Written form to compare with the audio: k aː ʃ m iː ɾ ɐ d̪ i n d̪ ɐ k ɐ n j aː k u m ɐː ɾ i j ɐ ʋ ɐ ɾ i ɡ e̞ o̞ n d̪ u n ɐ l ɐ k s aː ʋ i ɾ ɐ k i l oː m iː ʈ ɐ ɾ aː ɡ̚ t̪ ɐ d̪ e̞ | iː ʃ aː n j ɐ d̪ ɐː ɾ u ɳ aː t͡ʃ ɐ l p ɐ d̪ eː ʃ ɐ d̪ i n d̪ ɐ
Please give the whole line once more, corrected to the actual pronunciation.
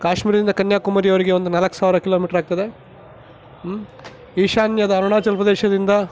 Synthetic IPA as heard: k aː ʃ m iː ɾ ɐ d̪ i n d̪ ɐ k ɐ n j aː k u m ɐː ɾ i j ɐ ʋ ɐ ɾ i ɡ e̞ o̞ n d̪ u n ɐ l ɐ k s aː ʋ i ɾ ɐ k i l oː m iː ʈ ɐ ɾ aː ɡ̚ t̪ ɐ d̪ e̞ | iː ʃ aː n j ɐ d̪ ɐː ɾ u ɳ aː t͡ʃ ɐ l p ɐ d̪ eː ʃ ɐ d̪ i n d̪ ɐ